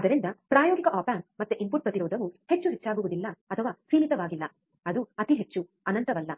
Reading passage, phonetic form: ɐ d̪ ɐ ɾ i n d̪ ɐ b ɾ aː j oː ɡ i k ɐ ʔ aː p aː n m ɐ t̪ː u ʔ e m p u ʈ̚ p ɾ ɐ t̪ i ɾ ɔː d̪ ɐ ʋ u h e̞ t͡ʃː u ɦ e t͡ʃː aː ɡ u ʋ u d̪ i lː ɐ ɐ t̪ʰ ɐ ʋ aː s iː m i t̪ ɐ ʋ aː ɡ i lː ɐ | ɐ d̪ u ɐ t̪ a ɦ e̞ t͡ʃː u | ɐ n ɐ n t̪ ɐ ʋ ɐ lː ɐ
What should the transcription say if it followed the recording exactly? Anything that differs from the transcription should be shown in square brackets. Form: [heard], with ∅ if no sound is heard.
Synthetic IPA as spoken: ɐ d̪ ɐ ɾ i n d̪ ɐ [p] ɾ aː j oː ɡ i k ɐ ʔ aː p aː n m ɐ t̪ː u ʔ [i] m p u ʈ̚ p ɾ ɐ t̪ i ɾ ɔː d̪ ɐ ʋ u h e̞ t͡ʃː u ɦ e t͡ʃː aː ɡ u ʋ u d̪ i lː ɐ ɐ t̪ʰ ɐ ʋ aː s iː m i t̪ ɐ ʋ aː ɡ i lː ɐ | ɐ d̪ u ɐ t̪ [i] ɦ e̞ t͡ʃː u | ɐ n ɐ n t̪ ɐ ʋ ɐ lː ɐ